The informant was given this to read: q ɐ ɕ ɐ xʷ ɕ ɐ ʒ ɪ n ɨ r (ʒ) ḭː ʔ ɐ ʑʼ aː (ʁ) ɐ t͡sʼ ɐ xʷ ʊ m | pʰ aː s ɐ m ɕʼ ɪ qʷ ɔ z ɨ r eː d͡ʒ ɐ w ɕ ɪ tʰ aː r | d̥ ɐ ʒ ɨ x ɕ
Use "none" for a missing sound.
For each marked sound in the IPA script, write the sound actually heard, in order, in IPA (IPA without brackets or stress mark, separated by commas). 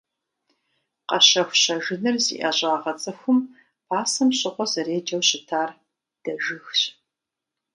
z, ʁ